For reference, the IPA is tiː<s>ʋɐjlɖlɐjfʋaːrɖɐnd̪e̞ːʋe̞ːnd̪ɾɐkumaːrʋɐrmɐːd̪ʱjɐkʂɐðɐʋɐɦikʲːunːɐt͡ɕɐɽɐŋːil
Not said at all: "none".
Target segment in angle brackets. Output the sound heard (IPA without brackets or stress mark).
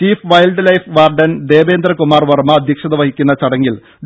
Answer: f